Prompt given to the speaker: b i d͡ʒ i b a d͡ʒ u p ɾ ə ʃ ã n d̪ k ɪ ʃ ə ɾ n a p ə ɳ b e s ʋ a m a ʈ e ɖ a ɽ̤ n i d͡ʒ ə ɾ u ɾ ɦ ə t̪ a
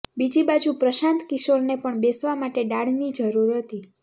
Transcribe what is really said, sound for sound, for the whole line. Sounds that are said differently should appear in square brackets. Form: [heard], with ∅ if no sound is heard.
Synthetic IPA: b i d͡ʒ i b a d͡ʒ u p ɾ ə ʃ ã n [t̪] k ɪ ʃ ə ɾ n [e] p ə ɳ b e s ʋ a m a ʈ e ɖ a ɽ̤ n i d͡ʒ ə ɾ u ɾ ɦ ə t̪ [i]